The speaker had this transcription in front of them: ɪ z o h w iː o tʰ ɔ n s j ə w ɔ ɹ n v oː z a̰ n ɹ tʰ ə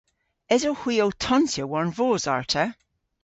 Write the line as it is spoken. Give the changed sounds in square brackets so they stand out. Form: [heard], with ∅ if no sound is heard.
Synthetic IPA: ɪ z o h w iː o tʰ ɔ n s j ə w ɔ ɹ n v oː z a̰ [∅] ɹ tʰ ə